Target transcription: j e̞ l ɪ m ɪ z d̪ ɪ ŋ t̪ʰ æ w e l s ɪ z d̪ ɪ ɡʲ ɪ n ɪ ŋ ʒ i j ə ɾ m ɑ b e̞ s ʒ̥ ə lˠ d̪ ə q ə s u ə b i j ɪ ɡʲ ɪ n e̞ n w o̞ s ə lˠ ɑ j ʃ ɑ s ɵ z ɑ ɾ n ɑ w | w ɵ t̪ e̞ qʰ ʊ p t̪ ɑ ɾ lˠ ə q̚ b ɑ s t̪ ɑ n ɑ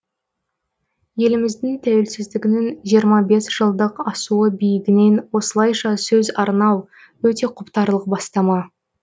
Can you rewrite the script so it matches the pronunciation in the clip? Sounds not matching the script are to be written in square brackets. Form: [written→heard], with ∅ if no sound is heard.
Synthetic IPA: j e̞ l ɪ m ɪ z d̪ ɪ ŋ t̪ʰ æ w e l s ɪ z d̪ ɪ ɡʲ ɪ n ɪ ŋ ʒ i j ə ɾ m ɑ b e̞ s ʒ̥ ə lˠ d̪ ə q [ə→ɑ] s u ə b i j ɪ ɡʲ ɪ n e̞ n w o̞ s ə lˠ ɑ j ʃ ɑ s ɵ z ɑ ɾ n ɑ w | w ɵ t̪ e̞ qʰ ʊ p t̪ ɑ ɾ lˠ ə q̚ b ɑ s t̪ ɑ [n→m] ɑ